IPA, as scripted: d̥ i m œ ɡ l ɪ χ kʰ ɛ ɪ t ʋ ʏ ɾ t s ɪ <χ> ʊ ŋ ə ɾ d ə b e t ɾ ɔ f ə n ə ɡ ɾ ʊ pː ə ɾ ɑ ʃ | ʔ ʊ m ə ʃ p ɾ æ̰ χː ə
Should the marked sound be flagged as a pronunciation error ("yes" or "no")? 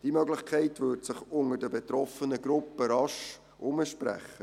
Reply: no